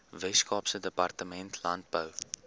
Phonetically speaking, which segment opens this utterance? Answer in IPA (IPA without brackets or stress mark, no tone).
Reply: v